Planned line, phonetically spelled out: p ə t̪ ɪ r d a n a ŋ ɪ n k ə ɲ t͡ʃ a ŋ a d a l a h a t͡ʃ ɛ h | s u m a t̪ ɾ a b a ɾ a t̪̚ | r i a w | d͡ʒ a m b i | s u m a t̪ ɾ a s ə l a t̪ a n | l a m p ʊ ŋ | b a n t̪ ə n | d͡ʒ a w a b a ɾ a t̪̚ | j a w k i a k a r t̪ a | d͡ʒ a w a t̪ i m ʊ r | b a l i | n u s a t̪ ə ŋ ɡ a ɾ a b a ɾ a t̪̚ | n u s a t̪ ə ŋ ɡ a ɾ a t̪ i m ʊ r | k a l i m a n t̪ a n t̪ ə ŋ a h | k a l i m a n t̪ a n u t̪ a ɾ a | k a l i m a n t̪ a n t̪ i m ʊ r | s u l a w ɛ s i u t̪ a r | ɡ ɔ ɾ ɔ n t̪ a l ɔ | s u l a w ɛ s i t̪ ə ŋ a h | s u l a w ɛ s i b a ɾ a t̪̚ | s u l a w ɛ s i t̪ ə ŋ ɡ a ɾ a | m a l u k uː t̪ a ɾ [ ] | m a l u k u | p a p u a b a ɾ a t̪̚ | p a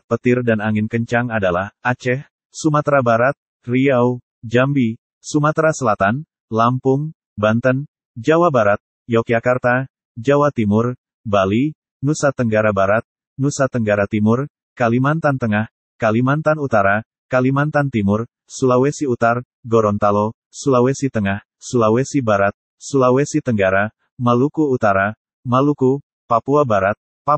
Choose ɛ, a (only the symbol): a